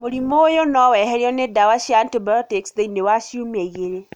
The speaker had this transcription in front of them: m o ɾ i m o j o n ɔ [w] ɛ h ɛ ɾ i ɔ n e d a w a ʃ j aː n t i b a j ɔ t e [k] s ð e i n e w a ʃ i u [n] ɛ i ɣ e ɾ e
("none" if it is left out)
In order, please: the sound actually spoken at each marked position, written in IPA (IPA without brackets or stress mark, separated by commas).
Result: w, k, m